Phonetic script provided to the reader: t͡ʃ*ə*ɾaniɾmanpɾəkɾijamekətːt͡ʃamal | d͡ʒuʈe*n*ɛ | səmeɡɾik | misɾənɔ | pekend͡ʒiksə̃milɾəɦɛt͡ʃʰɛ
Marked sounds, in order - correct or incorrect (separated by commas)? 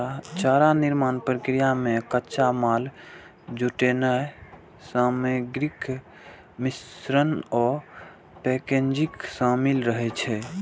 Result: incorrect, correct